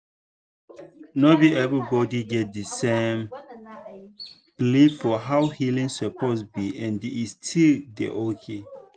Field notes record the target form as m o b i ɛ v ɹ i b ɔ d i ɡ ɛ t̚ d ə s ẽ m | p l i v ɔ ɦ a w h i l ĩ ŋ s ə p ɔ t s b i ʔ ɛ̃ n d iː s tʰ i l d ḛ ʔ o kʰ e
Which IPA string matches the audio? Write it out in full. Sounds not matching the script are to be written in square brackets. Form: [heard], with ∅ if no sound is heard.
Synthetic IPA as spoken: [n] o b i ɛ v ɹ i b ɔ d i ɡ ɛ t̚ d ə s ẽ m | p l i [f] ɔ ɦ a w h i l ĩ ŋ s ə p ɔ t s b i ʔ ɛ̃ n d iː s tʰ i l d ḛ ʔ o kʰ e